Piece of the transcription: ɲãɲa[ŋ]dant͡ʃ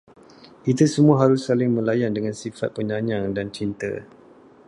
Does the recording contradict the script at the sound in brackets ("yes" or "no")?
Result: no